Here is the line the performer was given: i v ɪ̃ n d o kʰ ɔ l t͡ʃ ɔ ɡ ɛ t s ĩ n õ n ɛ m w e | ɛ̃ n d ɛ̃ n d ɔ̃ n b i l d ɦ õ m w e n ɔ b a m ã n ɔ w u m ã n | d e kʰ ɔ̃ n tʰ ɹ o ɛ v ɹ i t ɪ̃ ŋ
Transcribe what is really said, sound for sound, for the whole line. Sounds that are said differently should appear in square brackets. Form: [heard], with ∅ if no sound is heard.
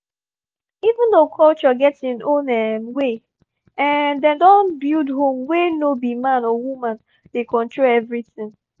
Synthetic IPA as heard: i v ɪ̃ n d o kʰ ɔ l t͡ʃ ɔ ɡ ɛ t s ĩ n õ n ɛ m w e | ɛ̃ n d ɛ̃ n d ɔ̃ n b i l d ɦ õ m w e n [o] b [i] m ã n ɔ w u m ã n | d e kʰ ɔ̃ n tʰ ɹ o ɛ v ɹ i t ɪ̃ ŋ